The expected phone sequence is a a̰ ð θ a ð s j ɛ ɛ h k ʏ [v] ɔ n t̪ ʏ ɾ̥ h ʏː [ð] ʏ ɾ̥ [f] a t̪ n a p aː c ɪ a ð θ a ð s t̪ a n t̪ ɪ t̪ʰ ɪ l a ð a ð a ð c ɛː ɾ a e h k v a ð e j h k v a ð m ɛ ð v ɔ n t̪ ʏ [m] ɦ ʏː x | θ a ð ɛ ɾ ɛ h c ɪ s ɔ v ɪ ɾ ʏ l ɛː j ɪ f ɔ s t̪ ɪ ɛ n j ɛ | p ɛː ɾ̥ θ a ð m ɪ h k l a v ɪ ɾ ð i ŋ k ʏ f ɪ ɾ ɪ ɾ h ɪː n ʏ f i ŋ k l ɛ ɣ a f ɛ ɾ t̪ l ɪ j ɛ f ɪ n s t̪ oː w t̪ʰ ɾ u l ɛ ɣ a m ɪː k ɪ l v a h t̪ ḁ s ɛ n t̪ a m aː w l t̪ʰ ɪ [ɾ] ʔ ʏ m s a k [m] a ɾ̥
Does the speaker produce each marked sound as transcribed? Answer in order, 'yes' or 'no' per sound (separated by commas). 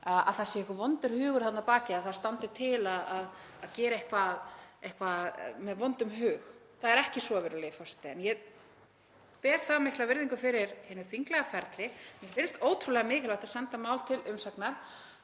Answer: yes, no, no, yes, no, no